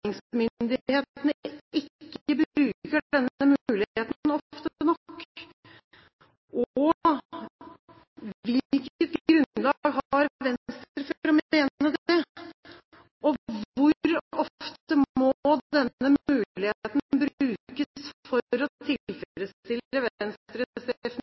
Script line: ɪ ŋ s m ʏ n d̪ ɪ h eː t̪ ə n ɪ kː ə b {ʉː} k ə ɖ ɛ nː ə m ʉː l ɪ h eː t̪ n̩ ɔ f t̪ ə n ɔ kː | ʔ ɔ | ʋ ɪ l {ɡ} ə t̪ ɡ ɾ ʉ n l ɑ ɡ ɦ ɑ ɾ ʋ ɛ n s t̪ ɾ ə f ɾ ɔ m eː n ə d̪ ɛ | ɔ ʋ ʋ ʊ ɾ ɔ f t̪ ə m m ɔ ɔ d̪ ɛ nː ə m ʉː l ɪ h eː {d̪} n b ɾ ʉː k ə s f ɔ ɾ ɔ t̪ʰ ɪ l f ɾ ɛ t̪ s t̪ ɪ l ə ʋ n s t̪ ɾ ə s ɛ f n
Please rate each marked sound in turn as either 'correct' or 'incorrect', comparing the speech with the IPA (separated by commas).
correct, incorrect, incorrect